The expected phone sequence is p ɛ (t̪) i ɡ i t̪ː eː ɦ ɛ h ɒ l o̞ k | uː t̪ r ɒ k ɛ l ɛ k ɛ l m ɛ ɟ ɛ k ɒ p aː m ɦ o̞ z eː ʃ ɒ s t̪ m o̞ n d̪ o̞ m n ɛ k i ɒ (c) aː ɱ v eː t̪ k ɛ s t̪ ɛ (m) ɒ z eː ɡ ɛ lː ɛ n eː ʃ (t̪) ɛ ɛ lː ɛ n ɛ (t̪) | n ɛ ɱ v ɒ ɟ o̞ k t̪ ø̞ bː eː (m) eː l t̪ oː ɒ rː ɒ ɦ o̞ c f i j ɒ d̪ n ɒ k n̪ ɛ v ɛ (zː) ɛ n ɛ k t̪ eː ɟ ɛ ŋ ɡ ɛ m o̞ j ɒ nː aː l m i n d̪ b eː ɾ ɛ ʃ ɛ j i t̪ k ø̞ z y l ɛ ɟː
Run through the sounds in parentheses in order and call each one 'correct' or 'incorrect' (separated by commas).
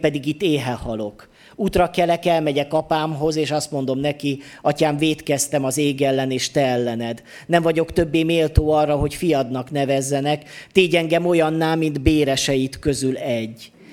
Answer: incorrect, correct, correct, correct, incorrect, correct, correct